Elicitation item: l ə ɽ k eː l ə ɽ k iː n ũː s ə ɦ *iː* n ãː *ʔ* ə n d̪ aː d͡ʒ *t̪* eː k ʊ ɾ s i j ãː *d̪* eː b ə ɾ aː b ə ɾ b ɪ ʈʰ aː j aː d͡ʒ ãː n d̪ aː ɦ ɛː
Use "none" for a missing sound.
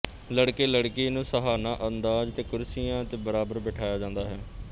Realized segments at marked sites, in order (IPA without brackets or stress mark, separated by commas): aː, ʔ, t̪, t̪